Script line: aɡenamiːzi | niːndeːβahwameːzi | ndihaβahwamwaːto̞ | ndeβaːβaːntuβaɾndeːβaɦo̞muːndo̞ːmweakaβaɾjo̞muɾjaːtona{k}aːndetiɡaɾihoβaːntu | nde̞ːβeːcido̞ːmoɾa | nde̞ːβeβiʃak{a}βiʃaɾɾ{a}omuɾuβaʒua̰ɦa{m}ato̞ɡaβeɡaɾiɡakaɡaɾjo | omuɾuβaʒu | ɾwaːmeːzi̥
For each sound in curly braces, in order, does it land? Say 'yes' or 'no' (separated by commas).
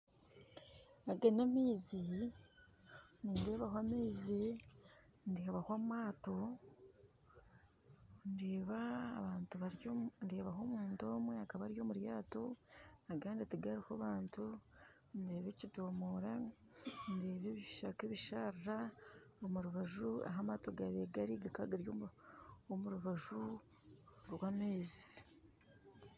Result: no, no, yes, yes